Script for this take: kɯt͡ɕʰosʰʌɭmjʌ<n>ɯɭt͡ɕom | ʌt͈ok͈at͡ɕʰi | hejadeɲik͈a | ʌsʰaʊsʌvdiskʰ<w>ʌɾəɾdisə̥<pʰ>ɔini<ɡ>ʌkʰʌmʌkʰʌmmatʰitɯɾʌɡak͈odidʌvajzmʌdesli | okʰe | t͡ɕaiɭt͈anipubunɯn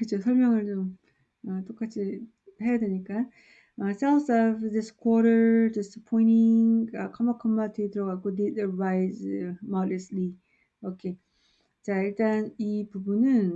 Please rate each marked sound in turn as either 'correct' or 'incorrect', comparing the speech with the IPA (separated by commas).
incorrect, correct, correct, incorrect